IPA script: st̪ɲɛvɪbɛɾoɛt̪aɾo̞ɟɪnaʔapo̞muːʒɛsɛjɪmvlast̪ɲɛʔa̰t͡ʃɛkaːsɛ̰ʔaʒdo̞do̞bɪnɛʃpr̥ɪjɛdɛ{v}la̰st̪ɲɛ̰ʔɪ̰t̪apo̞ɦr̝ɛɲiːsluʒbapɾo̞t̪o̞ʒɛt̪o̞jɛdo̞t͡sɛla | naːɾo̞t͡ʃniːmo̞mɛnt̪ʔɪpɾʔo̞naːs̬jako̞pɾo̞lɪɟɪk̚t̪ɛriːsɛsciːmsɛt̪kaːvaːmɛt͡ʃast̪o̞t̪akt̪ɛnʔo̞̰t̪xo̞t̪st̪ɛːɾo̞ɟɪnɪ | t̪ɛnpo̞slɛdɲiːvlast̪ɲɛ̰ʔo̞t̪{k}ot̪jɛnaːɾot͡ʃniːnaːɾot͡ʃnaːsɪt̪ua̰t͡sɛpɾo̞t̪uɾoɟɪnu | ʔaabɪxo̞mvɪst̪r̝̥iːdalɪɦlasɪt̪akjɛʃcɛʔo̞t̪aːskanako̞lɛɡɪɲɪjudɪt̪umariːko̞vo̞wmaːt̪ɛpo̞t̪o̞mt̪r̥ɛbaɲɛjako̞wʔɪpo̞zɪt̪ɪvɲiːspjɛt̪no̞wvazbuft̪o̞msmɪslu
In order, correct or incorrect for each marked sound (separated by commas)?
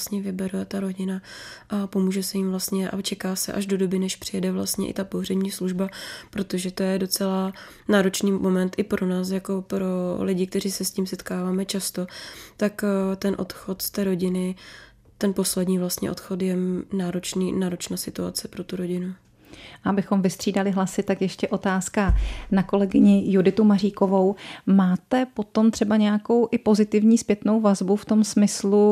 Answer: correct, incorrect